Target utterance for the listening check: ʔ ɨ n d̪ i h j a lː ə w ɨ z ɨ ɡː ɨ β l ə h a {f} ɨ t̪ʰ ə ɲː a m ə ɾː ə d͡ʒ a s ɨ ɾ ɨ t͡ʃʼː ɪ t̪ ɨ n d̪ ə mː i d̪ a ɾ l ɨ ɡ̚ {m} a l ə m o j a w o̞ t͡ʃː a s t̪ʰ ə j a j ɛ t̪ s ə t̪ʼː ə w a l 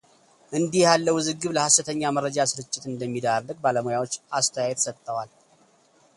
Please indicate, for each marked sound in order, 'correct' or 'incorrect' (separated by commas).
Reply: incorrect, incorrect